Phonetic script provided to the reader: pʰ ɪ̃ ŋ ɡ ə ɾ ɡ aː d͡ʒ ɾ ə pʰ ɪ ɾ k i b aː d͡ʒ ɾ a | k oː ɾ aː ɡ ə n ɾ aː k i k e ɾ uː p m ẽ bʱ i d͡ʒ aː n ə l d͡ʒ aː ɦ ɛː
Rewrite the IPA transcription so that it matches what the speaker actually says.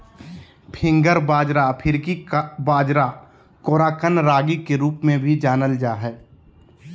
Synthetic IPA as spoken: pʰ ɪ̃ ŋ ɡ ə ɾ b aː d͡ʒ ɾ a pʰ ɪ ɾ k i b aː d͡ʒ ɾ a | k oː ɾ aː k ə n ɾ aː ɡ i k e ɾ uː p m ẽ bʱ i d͡ʒ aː n ə l d͡ʒ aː ɦ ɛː